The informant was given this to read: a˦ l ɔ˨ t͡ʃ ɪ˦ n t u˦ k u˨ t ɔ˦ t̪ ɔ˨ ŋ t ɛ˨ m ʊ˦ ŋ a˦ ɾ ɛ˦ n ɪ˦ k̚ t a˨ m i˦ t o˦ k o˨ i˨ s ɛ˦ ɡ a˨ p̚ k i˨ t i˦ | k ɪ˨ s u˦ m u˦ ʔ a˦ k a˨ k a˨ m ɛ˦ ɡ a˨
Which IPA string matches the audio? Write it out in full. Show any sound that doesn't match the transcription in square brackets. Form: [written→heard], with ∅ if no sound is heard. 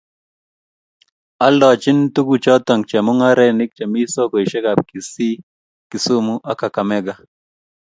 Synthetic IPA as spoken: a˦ l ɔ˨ t͡ʃ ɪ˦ n t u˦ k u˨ [t→t͡ʃ] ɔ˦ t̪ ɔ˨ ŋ [t→t͡ʃ] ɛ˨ m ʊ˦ ŋ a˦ ɾ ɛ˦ n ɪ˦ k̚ [t→t͡ʃ] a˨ m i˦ [t→s] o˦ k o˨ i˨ [s→ʃ] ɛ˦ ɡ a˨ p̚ k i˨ [t→s] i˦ | k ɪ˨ s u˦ m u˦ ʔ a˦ k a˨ k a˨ m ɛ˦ ɡ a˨